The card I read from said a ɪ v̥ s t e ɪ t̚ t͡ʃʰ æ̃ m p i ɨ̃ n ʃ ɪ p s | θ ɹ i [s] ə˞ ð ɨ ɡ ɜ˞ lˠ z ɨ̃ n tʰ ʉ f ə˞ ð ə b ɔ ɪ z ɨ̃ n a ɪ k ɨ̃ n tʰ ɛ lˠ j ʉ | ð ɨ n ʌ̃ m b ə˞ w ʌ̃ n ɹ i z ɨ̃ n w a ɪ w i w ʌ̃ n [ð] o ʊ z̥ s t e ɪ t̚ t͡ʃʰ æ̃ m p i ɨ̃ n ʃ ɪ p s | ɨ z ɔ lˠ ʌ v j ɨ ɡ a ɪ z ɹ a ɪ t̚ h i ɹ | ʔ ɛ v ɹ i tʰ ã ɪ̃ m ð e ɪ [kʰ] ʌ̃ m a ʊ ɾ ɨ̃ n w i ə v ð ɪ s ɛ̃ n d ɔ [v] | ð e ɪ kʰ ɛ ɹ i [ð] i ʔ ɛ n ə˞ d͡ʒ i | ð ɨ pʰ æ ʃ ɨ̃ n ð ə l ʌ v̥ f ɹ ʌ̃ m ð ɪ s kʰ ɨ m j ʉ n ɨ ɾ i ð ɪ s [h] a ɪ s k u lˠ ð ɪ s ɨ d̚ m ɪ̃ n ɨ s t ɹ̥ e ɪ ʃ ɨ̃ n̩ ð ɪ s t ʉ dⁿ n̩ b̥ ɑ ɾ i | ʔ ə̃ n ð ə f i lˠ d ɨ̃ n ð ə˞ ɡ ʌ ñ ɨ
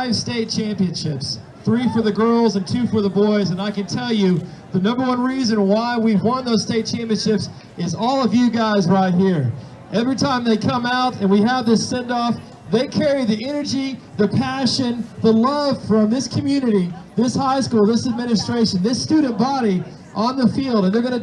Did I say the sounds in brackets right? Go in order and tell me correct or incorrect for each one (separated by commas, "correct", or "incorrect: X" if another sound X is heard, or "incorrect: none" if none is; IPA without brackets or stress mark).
incorrect: f, correct, correct, incorrect: f, correct, correct